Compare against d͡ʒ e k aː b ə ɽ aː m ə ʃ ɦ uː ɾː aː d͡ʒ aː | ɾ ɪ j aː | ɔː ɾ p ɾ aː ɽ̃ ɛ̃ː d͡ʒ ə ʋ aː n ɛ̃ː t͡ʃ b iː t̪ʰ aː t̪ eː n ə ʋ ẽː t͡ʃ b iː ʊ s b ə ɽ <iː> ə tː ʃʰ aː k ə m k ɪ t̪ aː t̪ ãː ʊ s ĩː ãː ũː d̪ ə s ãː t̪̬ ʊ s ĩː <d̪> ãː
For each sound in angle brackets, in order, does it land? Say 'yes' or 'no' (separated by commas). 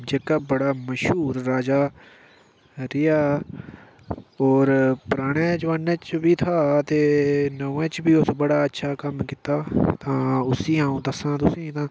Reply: no, no